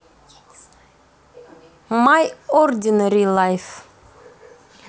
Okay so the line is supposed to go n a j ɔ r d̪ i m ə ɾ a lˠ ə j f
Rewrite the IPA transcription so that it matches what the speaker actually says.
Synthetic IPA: m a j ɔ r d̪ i n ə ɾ i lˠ a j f

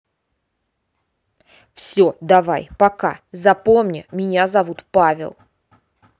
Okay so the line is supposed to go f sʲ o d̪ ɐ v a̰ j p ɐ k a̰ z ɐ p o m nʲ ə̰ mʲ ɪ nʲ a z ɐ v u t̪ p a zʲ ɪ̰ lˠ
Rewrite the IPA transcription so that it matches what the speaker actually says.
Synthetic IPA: f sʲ o d̪ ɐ v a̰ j p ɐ k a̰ z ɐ p o m nʲ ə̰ mʲ ɪ nʲ a z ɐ v u t̪ p a vʲ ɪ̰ lˠ

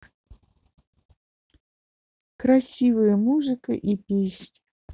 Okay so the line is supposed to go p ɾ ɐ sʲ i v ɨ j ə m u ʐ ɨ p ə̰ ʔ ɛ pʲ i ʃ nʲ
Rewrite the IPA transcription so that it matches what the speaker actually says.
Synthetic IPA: k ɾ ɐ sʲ i v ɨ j ə m u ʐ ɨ k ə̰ ʔ i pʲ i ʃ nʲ

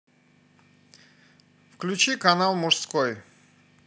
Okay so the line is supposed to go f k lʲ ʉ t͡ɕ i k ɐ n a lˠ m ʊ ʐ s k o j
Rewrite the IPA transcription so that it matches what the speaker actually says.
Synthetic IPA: f k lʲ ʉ t͡ɕ i k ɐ n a lˠ m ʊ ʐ s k o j

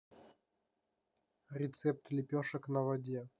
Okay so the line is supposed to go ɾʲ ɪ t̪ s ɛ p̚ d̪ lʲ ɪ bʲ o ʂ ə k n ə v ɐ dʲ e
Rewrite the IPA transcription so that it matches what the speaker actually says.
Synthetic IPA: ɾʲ ɪ t̪ s ɛ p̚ t̪ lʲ ɪ pʲ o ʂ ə k n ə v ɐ dʲ e

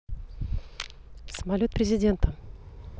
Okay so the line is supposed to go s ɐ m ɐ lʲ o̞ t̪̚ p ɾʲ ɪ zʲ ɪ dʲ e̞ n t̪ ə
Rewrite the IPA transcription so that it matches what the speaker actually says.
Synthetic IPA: s ə m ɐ lʲ o̞ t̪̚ p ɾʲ ɪ zʲ ɪ dʲ e̞ n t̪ ə

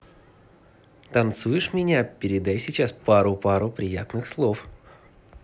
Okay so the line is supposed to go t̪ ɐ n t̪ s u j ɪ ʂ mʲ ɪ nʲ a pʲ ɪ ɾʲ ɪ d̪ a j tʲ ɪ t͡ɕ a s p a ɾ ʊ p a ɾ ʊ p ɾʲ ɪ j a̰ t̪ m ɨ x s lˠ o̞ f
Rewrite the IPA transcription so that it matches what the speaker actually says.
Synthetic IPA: t̪ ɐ n t̪ s u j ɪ ʂ mʲ ɪ nʲ a pʲ ɪ ɾʲ ɪ d̪ a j sʲ ɪ t͡ɕ a s p a ɾ ʊ p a ɾ ʊ p ɾʲ ɪ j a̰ t̪ n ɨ x s lˠ o̞ f

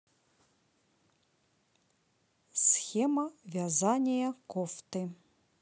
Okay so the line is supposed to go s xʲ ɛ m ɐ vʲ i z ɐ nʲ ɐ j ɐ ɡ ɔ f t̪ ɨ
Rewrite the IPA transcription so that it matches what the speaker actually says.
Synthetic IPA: s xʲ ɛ m ɐ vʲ a z a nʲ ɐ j ɐ k ɔ f t̪ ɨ

